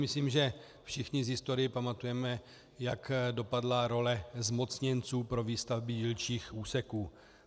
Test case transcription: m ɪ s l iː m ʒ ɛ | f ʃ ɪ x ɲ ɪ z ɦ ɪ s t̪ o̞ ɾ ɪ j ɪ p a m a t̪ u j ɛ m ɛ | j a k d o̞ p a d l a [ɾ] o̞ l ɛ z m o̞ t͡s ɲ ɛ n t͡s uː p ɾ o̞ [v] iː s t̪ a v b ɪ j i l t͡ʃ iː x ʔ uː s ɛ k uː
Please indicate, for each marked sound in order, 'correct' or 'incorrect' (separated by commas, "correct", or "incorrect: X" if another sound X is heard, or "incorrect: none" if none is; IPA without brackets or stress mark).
correct, correct